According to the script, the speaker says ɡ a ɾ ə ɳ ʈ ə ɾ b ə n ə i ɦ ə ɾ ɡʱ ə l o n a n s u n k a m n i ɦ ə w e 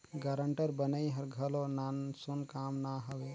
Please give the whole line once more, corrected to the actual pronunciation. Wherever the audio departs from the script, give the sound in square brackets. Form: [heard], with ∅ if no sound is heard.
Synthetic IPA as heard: ɡ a ɾ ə ɳ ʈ ə ɾ b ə n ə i ɦ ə ɾ ɡʱ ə l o n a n s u n k a m n [a] ɦ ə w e